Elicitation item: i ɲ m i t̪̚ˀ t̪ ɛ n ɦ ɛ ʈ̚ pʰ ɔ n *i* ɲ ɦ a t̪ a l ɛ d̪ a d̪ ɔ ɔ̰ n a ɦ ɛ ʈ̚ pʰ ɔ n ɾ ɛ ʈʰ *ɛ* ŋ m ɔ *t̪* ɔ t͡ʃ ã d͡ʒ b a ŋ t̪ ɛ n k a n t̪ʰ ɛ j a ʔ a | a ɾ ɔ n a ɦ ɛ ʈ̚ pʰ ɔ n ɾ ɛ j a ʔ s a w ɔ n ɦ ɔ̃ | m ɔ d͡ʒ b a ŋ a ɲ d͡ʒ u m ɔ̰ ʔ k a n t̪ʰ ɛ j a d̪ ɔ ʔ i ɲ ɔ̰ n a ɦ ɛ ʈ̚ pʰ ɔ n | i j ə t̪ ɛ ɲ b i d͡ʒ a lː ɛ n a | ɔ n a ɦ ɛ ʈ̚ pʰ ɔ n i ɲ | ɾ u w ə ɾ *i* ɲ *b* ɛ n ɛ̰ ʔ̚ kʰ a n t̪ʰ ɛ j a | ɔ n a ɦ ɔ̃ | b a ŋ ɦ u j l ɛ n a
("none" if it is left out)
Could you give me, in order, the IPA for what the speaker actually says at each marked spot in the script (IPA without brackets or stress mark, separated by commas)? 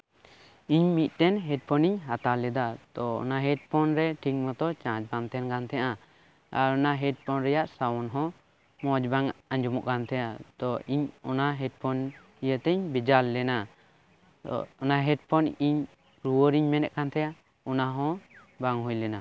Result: i, i, t̪, i, m